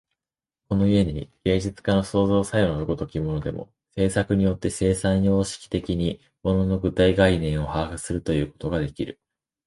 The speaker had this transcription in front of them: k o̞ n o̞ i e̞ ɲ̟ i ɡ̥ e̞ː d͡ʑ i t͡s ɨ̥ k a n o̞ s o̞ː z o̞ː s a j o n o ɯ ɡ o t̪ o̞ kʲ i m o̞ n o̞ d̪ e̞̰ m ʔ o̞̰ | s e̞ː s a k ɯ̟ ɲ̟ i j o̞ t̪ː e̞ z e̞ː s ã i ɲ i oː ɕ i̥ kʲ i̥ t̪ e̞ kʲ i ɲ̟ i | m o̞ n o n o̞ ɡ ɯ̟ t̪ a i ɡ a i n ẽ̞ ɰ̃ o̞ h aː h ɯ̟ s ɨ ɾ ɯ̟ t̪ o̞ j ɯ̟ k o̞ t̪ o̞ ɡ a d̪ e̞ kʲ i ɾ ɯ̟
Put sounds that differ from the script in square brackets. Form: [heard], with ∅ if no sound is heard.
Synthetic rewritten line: k o̞ n o̞ i e̞ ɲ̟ i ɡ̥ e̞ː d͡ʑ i t͡s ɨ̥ k a n o̞ s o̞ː z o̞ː s a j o n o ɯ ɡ o t̪ o̞ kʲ i m o̞ n o̞ d̪ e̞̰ m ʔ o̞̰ | s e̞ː s a k ɯ̟ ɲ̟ i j o̞ t̪ː e̞ [s] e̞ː s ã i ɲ i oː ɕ i̥ kʲ i̥ t̪ e̞ kʲ i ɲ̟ i | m o̞ n o n o̞ ɡ ɯ̟ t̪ a i ɡ a i n ẽ̞ ɰ̃ o̞ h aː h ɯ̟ s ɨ ɾ ɯ̟ t̪ o̞ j [ɯ̟ː] k o̞ t̪ o̞ ɡ a d̪ e̞ kʲ i ɾ ɯ̟